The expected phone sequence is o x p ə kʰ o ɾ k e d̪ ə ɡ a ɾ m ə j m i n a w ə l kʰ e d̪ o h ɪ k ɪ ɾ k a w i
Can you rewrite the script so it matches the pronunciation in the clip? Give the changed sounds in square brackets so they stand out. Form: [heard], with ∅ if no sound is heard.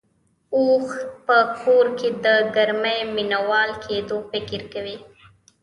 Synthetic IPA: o x p ə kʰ o ɾ k e d̪ ə ɡ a ɾ m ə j m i n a w [ɑ] l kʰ e d̪ o [f] ɪ k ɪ ɾ k a w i

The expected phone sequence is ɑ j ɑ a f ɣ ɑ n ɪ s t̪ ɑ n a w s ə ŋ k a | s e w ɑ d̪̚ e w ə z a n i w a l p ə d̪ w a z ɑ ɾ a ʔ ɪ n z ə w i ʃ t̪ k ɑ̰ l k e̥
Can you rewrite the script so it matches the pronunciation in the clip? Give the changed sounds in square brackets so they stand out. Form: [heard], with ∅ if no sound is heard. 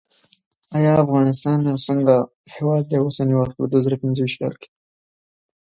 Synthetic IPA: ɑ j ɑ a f ɣ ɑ n ɪ s t̪ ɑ n a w s ə ŋ [ɡ] a | [h] e w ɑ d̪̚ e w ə [s] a n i w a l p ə d̪ w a z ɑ ɾ a [p] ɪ n z ə w i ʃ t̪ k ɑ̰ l k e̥

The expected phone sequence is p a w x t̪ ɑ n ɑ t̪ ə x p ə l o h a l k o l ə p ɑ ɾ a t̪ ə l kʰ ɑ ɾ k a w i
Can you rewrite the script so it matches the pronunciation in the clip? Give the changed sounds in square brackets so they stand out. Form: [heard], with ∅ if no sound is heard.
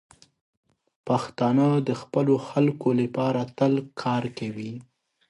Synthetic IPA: p a [∅] x t̪ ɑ n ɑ [d̪] ə x p ə l o [x] a l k o l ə p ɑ ɾ a t̪ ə l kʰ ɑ ɾ k a w i

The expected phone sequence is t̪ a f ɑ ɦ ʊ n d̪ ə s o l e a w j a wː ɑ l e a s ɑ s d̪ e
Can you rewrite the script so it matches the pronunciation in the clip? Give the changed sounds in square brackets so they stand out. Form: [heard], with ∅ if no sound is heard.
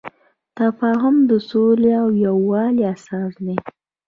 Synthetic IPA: t̪ a f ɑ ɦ ʊ [m] d̪ ə s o l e a w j a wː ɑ l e a s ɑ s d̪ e

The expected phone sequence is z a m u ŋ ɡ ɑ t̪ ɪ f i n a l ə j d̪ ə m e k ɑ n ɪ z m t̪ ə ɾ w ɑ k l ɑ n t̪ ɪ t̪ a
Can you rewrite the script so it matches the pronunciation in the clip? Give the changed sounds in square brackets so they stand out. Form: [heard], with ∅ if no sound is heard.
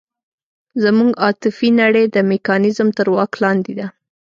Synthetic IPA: z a m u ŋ ɡ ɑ t̪ ɪ f i n a [ɽ] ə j d̪ ə m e k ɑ n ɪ z m t̪ ə ɾ w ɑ k l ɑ n [d̪] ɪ [d̪] a

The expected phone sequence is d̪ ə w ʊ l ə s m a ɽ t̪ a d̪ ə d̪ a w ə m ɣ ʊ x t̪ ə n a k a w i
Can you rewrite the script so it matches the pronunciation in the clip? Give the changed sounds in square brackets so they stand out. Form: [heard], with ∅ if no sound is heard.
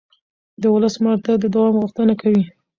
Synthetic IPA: d̪ ə w ʊ l ə s m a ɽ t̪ a d̪ ə d̪ a w [ɑ] m ɣ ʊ x t̪ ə n a k a w i

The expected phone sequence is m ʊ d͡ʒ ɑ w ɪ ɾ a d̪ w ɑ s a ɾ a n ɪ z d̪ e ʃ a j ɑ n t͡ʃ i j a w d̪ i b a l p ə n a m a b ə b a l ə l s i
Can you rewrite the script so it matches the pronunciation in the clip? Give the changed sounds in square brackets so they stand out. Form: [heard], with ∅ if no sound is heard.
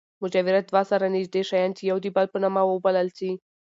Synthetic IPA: m ʊ d͡ʒ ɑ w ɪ ɾ a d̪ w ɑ s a ɾ a n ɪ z d̪ e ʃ a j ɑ n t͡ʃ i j a w d̪ i b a l p ə n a m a [w] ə b a l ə l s i

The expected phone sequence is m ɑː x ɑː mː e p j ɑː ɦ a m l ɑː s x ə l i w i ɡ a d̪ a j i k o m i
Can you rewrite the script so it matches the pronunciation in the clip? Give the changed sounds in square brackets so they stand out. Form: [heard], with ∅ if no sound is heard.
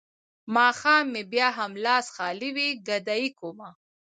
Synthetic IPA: m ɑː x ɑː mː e [b] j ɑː ɦ a m l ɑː s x [ɑ] l i w i ɡ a d̪ a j i k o m [a]

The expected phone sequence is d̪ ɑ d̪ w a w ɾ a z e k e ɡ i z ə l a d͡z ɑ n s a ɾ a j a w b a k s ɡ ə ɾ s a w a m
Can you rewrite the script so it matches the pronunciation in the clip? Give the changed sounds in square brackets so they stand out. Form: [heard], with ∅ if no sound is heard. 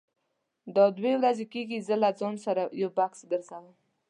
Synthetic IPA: d̪ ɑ d̪ w [e] w ɾ a z e k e ɡ i z ə l a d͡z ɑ n s a ɾ a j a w b a k s ɡ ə ɾ [z] a w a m

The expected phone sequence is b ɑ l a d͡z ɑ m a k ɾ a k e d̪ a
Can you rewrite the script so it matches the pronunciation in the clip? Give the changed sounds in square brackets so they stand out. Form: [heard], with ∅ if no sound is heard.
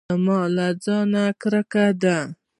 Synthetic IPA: [m] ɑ l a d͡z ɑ [n] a k ɾ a k [a] d̪ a

